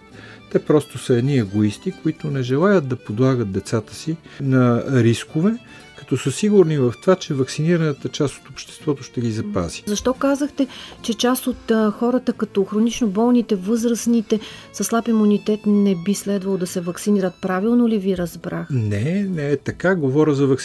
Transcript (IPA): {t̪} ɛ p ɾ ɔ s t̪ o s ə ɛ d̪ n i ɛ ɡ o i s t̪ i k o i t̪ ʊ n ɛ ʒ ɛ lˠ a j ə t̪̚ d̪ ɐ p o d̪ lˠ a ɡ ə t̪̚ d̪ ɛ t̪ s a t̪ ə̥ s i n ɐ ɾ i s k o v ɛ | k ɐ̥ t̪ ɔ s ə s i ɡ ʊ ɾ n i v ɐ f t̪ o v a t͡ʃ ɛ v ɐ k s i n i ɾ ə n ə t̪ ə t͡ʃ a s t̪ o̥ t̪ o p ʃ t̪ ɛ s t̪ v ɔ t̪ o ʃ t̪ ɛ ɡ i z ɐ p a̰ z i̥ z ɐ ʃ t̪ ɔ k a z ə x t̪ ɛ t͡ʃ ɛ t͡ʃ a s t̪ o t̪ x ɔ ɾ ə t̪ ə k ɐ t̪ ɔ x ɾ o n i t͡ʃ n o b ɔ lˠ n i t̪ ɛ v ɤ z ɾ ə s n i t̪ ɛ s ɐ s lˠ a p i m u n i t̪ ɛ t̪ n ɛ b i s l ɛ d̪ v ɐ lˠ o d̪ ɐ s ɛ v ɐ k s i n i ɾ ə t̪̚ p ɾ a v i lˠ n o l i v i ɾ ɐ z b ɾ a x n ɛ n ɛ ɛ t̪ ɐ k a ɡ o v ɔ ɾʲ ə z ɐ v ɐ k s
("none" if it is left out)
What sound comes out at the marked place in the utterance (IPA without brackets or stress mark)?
t̪